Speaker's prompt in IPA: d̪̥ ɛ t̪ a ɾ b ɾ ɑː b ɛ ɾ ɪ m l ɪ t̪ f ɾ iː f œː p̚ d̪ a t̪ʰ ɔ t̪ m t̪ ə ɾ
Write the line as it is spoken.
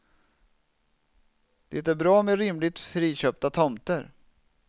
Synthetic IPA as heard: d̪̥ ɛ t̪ æ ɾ b ɾ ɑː m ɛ ɾ ɪ m l ɪ t̪ f ɾ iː ɕ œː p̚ t̪ a t̪ʰ ɔ m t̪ ə ɾ

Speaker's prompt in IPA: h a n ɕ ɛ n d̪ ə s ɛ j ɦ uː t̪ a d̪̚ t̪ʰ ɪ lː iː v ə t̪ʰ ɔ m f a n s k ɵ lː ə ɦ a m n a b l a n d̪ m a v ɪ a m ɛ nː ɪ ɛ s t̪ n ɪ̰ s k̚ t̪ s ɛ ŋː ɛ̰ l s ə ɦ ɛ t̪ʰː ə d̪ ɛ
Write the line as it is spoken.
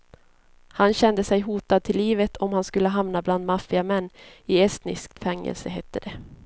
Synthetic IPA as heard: h a n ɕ ɛ n d̪ ə s ɛ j ɦ uː t̪ a d̪̚ t̪ʰ ɪ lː iː v ə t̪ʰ ɔ m h a n s k ɵ lː ə ɦ a m n a b l a n d̪ m a f ɪ a m ɛ nː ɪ ɛ s t̪ n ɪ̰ s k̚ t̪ f ɛ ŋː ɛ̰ l s ə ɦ ɛ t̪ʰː ə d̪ ɛ

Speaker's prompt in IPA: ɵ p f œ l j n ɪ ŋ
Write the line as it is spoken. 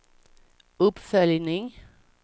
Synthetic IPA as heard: ɵ p f œ l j n ɪ ŋ

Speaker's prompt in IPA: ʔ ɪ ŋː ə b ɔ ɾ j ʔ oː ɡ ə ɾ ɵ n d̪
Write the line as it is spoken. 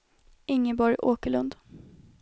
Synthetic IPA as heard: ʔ ɪ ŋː ə b ɔ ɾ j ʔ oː k ə ɭ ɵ n d̪

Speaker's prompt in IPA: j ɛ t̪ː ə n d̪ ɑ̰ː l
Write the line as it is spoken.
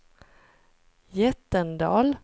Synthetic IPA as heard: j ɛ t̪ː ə n d̪ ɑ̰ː l

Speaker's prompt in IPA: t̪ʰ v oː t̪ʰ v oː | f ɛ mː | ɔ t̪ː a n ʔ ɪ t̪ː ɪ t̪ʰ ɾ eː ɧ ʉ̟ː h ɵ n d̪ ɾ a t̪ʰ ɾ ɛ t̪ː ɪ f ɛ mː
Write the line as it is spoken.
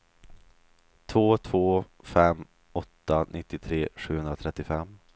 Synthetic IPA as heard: t̪ʰ v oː t̪ʰ v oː | f ɛ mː | ɔ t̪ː a n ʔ ɪ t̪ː ɪ t̪ʰ ɾ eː ɧ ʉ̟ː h ɵ n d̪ ɾ a t̪ʰ ɾ ɛ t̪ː ɪ f ɛ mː

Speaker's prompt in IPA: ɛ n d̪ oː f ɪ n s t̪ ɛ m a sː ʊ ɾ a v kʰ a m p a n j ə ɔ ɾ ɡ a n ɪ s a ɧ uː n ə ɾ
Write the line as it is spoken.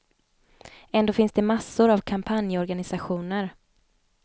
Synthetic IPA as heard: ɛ n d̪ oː f ɪ n s d̪ ɛ m a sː ʊ ɾ a v kʰ a m pʰ a n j ə ɔ ɾ ɡ a n ɪ s a ɧ uː n ə ɾ

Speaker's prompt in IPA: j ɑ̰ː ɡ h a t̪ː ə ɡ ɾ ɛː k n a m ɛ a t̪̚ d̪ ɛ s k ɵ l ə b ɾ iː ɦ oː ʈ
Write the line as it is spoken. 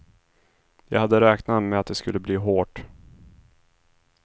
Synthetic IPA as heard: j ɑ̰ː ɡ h a d̪ː ə ɾ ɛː k n a m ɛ a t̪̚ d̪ ɛ s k ɵ lː ə b l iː ɦ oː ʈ

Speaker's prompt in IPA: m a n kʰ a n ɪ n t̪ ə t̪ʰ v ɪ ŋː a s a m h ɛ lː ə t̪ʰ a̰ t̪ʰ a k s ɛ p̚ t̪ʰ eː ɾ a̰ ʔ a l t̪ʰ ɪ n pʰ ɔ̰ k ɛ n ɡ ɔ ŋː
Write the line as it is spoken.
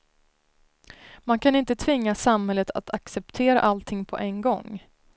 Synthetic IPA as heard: m a n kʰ a n ɪ n t̪ ə t̪ʰ v ɪ ŋː a s a m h ɛ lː ə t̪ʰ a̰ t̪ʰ a k s ɛ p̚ t̪ʰ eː ɾ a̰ ʔ a l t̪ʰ ɪ ŋ pʰ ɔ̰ ʔ ɛ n ɡ ɔ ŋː

